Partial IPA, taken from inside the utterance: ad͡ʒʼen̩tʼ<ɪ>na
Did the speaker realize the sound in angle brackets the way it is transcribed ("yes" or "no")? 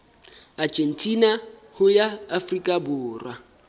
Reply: no